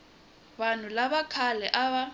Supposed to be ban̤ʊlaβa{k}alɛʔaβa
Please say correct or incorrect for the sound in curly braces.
incorrect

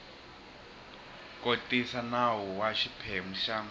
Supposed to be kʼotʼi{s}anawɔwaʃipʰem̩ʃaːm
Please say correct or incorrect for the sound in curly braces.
correct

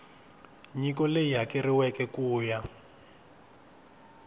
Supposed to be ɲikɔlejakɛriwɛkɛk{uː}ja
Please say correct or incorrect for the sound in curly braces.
correct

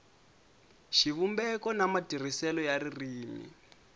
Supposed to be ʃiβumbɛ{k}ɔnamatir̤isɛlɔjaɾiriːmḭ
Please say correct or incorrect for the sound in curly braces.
correct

